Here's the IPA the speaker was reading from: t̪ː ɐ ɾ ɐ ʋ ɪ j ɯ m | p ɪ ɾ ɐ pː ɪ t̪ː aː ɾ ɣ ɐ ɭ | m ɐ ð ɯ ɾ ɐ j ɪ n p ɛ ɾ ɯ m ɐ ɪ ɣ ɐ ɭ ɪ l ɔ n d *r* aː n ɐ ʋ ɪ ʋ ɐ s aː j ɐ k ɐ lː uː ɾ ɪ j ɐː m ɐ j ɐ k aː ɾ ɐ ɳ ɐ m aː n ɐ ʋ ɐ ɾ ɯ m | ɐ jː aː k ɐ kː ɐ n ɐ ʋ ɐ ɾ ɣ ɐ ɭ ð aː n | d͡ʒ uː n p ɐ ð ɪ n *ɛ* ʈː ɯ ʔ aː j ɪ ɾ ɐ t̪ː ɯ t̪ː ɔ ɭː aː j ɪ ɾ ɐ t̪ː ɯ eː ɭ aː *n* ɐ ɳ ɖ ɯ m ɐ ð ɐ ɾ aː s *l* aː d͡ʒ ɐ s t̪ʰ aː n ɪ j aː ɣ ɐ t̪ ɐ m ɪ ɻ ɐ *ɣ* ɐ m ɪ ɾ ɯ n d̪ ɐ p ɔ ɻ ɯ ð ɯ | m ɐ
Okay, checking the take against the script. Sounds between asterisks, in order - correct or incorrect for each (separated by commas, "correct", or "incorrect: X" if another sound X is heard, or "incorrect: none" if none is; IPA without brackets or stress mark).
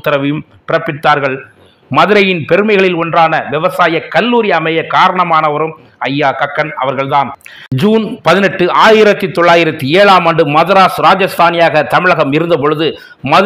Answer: correct, correct, incorrect: m, incorrect: ɾ, correct